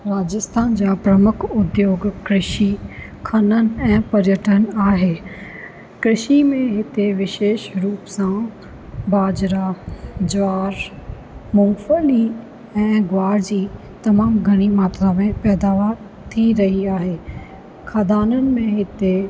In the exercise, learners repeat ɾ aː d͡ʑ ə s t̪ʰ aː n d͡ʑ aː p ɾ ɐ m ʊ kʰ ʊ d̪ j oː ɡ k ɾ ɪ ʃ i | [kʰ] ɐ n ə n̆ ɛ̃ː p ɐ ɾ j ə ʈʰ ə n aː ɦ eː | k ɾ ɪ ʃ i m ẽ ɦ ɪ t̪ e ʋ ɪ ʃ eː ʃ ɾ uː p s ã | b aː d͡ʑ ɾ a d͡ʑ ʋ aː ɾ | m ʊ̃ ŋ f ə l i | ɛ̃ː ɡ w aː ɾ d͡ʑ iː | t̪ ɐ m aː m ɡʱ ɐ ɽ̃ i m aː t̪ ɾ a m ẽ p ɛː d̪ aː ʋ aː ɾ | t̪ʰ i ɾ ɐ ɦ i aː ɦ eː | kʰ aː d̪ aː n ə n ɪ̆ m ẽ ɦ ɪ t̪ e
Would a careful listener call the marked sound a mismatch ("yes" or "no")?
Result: no